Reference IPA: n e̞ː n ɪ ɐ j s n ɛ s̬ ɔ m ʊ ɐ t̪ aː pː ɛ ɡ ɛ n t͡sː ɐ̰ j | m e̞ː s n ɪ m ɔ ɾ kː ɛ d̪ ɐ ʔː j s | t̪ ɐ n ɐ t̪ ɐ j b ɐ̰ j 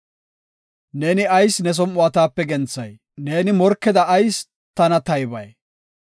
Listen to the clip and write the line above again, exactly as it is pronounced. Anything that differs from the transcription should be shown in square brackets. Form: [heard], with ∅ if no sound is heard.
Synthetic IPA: n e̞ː n ɪ ɐ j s n ɛ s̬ ɔ m ʊ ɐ t̪ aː pː ɛ ɡ ɛ n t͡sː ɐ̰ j | [n] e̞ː [∅] n ɪ m ɔ ɾ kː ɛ d̪ ɐ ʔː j s | t̪ ɐ n ɐ t̪ ɐ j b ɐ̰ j